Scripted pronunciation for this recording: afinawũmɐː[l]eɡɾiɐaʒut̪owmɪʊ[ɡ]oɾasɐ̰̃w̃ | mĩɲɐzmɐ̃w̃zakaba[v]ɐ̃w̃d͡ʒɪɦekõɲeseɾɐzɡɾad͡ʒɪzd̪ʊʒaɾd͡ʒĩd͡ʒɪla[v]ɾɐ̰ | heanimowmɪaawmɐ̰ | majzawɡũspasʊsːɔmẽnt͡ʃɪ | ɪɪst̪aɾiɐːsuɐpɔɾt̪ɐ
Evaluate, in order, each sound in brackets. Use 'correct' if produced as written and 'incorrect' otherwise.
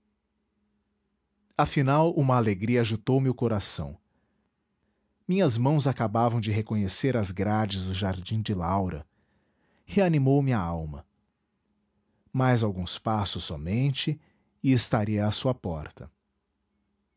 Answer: correct, incorrect: k, correct, incorrect: w

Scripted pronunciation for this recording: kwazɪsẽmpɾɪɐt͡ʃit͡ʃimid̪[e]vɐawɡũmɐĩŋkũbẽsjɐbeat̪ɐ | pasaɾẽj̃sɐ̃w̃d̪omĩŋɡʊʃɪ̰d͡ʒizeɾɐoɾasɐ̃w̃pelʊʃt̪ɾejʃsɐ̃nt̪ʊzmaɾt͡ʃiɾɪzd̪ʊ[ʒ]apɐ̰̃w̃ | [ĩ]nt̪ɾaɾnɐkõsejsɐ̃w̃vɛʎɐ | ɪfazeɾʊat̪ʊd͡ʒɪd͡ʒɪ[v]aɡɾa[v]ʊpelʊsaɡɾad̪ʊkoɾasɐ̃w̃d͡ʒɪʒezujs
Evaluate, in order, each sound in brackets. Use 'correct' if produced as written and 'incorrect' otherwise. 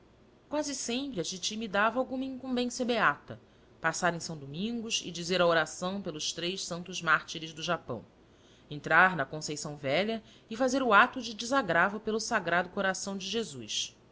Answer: incorrect: a, correct, incorrect: ẽ, incorrect: z, correct

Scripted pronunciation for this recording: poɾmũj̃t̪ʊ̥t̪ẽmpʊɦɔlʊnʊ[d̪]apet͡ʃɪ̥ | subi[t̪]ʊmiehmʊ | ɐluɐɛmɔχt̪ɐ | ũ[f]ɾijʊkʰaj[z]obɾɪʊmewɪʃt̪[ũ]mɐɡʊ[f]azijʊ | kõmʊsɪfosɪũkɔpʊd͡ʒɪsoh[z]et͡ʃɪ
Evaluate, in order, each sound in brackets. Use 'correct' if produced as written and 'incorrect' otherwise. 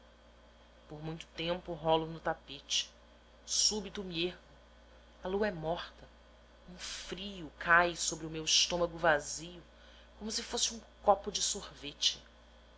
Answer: incorrect: t̪, correct, correct, incorrect: s, incorrect: õ, incorrect: v, incorrect: v

